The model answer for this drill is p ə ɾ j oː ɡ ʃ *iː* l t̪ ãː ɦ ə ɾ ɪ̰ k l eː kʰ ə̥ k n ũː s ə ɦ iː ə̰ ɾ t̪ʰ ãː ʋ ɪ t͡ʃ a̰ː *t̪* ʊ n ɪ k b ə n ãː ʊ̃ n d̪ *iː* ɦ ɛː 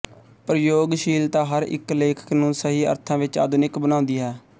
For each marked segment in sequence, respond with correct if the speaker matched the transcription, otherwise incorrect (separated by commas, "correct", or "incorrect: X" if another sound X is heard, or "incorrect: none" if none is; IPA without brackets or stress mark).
correct, incorrect: d̪, correct